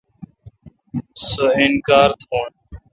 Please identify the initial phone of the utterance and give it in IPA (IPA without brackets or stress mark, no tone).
s